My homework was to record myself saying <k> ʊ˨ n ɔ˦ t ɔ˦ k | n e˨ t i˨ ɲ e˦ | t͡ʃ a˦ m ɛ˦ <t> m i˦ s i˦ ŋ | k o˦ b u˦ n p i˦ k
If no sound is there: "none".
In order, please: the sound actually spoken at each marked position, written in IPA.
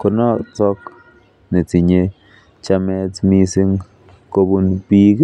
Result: k, t

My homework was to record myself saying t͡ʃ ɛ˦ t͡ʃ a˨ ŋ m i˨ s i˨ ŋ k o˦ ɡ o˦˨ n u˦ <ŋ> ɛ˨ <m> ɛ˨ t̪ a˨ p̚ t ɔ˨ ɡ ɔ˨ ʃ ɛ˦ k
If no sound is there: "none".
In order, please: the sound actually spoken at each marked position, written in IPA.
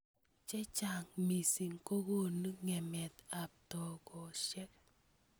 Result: ŋ, m

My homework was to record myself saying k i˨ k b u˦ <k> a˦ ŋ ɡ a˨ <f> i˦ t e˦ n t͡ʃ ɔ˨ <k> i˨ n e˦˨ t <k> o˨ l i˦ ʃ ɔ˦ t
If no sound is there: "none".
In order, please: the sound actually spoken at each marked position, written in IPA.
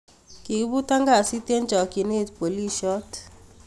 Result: t, s, k, p

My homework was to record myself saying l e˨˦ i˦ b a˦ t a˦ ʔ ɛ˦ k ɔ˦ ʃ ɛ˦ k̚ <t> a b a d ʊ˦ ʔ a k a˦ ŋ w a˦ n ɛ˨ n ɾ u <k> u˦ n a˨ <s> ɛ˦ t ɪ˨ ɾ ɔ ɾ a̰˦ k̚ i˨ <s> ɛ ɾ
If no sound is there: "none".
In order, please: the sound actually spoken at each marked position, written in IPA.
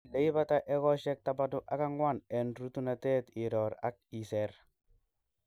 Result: t, t, t, s

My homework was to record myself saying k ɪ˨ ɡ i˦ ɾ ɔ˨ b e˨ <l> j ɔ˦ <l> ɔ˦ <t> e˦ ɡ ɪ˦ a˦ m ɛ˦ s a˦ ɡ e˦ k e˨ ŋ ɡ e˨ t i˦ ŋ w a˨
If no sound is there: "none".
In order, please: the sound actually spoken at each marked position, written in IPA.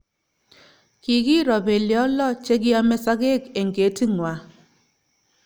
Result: l, l, t͡ʃ

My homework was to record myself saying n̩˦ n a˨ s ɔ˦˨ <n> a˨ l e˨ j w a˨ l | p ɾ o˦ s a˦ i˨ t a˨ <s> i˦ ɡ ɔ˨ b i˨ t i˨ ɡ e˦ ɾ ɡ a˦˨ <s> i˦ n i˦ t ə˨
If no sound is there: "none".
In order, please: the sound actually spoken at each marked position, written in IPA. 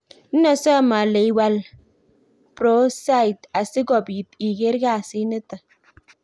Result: m, s, s

